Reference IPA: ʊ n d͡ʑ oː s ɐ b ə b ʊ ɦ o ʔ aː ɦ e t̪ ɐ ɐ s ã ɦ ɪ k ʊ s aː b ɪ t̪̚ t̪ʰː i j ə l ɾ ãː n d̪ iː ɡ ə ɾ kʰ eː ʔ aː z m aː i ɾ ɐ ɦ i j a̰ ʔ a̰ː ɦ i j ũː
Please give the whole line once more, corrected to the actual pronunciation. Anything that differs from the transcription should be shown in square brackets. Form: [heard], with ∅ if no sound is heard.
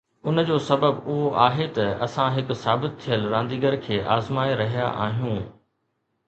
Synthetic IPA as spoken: ʊ n d͡ʑ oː s ɐ b ə b ʊ ɦ o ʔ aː ɦ e t̪ ɐ ɐ s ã ɦ ɪ k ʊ s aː b ɪ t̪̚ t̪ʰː i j ə l ɾ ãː n d̪ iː ɡ ə ɾ kʰ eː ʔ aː z m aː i ɾ ɐ ɦ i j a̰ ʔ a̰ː ɦ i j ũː